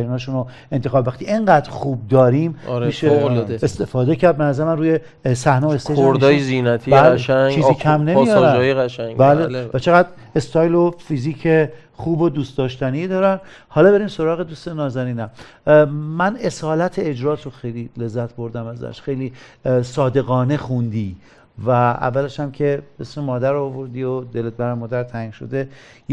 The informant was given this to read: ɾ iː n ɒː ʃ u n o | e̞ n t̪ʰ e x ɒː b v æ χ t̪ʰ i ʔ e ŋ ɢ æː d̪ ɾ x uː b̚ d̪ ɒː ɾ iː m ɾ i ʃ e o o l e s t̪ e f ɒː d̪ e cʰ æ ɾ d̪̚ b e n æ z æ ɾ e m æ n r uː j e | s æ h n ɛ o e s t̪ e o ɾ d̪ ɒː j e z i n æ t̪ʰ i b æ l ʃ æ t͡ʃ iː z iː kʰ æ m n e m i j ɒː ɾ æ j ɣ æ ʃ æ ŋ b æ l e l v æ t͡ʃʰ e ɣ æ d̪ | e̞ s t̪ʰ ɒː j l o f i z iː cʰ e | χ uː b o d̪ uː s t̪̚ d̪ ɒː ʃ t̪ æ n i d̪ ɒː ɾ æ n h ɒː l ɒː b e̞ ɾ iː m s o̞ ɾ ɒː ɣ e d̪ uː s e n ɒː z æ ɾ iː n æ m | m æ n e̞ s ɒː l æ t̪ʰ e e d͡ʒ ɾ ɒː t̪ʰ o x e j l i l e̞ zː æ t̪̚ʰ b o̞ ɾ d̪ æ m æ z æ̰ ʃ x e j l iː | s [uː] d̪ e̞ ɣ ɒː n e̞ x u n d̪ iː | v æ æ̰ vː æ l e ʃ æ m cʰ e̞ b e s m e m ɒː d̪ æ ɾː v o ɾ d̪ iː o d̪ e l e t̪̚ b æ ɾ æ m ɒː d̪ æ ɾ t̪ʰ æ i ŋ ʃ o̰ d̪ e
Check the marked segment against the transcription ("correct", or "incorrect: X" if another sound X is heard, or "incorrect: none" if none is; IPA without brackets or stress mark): incorrect: ɒː